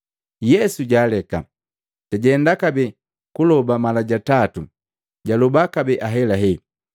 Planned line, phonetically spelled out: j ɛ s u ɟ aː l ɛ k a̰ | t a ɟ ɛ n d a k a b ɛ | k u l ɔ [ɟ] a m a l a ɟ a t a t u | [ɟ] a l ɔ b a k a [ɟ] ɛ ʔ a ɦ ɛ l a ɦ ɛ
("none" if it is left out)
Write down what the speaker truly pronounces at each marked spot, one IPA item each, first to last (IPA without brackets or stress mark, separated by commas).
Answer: b, ɟ, b